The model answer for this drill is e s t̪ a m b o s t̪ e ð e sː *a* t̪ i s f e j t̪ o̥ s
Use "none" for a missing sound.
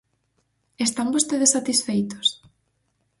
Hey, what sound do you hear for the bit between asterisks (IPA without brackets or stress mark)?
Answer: a